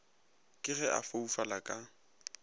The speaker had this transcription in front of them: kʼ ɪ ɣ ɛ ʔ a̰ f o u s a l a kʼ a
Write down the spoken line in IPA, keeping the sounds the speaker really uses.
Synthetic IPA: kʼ ɪ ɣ ɛ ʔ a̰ f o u f a l a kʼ a